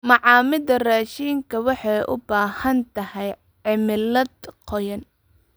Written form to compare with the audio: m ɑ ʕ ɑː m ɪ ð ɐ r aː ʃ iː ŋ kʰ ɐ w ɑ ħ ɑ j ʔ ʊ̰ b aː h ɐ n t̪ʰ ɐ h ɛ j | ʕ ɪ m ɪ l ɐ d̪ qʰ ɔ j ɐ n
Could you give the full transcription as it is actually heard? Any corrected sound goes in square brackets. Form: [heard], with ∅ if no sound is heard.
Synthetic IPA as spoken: m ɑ ʕ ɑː m ɪ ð ɐ r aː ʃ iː ŋ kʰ ɐ w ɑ ħ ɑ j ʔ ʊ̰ b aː h ɐ n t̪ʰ ɐ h ɛ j | ʕ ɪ m ɪ l ɐ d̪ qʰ ɔ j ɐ n